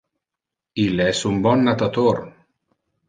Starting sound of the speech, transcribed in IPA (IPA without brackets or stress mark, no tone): i